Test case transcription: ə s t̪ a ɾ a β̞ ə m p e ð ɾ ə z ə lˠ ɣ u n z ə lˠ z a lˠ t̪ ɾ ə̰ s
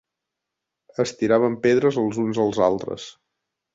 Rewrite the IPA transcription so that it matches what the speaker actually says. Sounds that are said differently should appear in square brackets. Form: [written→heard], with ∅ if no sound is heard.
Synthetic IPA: ə s t̪ [a→i] ɾ a β̞ ə m p e ð ɾ ə z ə lˠ [ɣ→z] u n z ə lˠ z a lˠ t̪ ɾ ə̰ s